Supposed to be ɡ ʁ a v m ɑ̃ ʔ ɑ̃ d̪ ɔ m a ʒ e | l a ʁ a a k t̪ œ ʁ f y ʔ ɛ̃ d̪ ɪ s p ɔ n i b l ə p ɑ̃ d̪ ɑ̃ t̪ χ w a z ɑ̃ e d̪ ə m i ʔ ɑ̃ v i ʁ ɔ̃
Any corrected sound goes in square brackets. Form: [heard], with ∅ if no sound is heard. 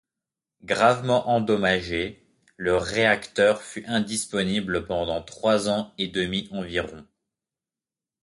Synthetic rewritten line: ɡ ʁ a v m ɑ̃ ʔ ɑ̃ d̪ ɔ m a ʒ e | l [ə] ʁ [e] a k t̪ œ ʁ f y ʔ ɛ̃ d̪ [i] s p ɔ n i b l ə p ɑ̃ d̪ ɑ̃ t̪ χ w a z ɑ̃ e d̪ ə m i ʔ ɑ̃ v i ʁ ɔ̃

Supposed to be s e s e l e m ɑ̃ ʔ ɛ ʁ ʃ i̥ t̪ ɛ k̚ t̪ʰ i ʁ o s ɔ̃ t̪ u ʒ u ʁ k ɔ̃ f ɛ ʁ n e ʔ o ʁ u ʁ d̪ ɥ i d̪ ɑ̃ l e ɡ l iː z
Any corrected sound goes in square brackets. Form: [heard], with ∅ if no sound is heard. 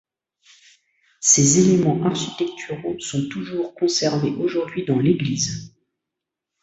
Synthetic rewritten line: s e [z] e l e m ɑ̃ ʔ [a] ʁ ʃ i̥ t̪ ɛ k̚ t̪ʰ [y] ʁ o s ɔ̃ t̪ u ʒ u ʁ k ɔ̃ [s] ɛ ʁ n e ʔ o [ʒ] u ʁ d̪ ɥ i d̪ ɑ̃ l e ɡ l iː z

